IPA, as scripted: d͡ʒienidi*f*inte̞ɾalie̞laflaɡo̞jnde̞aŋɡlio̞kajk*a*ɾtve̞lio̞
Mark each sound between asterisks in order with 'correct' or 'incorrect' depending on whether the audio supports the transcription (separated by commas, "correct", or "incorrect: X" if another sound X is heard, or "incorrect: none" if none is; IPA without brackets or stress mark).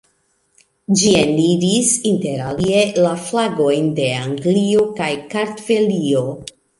incorrect: s, correct